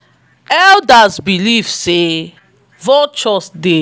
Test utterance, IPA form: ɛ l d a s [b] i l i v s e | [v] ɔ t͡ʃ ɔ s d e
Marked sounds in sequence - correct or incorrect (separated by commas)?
correct, correct